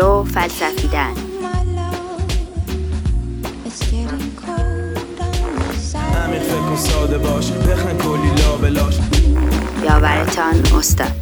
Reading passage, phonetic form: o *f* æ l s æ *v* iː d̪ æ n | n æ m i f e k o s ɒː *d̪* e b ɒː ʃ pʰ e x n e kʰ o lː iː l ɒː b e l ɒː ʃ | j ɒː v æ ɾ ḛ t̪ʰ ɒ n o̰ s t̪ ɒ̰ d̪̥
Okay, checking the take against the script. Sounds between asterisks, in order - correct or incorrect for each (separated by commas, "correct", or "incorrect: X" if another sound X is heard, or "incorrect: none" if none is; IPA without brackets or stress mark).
correct, incorrect: f, correct